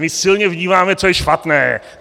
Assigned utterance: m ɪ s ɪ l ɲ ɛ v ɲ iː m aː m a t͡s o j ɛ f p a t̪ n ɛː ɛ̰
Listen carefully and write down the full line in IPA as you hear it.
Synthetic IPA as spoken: m ɪ s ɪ l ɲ ɛ v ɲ iː m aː m ɛ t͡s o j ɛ ʃ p a t̪ n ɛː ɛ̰